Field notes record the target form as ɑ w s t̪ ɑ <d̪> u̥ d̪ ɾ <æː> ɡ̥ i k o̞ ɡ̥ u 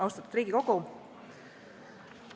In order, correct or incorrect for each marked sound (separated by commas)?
incorrect, incorrect